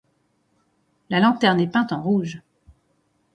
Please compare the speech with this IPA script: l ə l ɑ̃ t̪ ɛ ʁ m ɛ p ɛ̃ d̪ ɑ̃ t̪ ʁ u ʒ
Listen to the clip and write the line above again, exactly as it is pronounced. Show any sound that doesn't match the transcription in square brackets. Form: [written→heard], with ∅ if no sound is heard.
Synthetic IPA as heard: l [ə→a] l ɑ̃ t̪ ɛ ʁ [m→n] ɛ p ɛ̃ [d̪→t̪] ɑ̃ [t̪→∅] ʁ u ʒ